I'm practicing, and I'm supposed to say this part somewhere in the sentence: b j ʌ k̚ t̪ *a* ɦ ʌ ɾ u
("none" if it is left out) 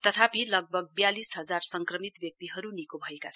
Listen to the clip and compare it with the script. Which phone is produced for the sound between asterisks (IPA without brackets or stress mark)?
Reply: i